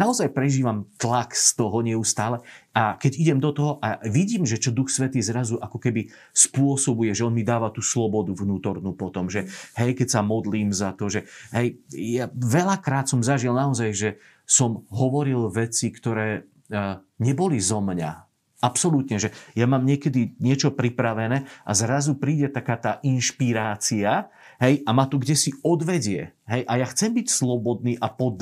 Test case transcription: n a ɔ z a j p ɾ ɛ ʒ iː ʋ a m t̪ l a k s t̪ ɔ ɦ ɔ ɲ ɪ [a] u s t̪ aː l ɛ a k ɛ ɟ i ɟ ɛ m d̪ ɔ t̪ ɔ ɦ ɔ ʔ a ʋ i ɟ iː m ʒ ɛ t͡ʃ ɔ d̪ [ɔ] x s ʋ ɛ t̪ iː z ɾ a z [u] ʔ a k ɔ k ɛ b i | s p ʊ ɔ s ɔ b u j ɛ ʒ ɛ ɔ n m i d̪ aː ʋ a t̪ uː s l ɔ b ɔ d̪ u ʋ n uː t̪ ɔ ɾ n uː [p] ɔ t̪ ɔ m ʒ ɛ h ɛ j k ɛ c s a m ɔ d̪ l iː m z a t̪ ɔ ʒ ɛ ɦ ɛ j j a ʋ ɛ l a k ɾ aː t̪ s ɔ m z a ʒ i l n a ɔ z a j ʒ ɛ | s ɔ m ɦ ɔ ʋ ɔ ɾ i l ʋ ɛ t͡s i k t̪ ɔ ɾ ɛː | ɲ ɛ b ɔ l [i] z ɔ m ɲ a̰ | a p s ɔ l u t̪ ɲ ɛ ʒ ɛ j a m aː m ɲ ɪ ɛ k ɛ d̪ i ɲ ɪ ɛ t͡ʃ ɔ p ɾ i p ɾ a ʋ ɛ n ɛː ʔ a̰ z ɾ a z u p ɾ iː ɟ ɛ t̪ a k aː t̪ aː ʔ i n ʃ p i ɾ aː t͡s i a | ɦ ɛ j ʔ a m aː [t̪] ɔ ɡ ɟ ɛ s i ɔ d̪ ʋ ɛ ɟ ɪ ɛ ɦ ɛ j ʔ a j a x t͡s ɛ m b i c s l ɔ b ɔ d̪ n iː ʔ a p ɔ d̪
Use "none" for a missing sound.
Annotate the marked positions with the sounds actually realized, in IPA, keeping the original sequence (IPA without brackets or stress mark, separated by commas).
ɛ, u, u, p, i, t̪